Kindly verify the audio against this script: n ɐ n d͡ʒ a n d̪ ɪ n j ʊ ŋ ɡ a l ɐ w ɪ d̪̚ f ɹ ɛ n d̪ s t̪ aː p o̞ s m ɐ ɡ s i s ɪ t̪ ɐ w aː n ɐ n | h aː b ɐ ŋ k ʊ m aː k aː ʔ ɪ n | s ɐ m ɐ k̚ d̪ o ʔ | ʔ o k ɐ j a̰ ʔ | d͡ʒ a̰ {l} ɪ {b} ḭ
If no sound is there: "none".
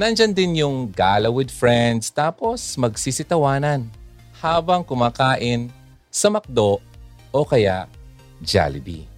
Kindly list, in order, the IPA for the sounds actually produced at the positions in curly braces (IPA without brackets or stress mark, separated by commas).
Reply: l, b